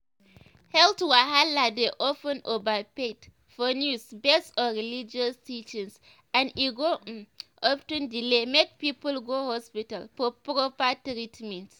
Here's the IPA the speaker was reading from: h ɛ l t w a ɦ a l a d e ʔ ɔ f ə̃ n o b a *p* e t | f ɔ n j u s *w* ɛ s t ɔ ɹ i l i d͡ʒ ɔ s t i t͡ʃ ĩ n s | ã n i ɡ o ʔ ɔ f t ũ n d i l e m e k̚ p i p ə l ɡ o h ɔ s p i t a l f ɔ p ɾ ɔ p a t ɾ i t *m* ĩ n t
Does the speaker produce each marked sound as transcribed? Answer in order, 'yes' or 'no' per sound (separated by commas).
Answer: yes, no, yes